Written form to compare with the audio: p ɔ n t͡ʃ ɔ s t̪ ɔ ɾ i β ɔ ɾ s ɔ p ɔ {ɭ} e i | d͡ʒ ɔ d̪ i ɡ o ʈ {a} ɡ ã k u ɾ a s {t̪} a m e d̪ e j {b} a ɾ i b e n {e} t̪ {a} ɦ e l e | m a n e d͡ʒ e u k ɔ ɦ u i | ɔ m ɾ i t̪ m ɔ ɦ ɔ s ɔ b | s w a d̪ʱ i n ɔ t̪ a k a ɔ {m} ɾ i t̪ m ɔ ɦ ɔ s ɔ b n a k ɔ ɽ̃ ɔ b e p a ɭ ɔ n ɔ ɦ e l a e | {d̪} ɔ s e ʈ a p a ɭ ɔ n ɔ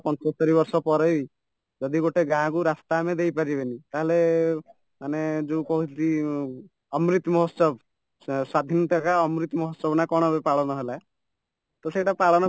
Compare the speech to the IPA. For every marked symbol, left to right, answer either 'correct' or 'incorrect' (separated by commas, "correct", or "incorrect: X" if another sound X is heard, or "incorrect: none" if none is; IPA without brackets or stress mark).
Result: incorrect: ɾ, incorrect: e, correct, incorrect: p, incorrect: i, correct, correct, incorrect: t̪